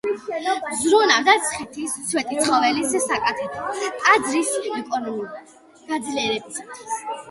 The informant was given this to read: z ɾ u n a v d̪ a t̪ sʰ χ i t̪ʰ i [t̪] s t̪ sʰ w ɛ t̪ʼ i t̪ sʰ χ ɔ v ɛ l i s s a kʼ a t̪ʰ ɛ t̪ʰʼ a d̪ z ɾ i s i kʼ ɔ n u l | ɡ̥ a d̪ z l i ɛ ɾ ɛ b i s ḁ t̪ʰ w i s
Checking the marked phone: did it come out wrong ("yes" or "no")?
yes